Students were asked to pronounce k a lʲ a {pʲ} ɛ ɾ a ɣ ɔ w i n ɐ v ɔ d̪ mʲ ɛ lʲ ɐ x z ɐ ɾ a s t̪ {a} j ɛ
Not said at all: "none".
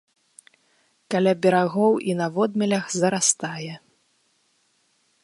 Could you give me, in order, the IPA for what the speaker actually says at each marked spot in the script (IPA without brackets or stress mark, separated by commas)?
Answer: bʲ, a